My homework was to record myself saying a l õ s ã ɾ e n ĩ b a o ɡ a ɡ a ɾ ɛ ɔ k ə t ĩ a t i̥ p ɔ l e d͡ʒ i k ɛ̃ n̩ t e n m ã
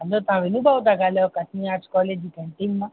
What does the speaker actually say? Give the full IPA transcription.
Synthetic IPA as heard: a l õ t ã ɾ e n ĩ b a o d a ɡ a l ɛ ɔ k a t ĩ a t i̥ k ɔ l e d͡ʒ i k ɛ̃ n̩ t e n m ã